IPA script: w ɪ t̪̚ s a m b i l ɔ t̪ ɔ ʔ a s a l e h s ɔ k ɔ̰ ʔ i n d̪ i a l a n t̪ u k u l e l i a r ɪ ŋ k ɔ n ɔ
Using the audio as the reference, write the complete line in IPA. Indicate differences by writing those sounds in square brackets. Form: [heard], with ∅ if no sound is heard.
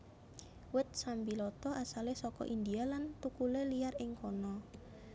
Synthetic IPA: w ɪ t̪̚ s a m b i l ɔ t̪ ɔ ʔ a s a l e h s ɔ k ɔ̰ ʔ i n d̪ i a l a n t̪ u k u l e l i a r ɪ ŋ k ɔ n ɔ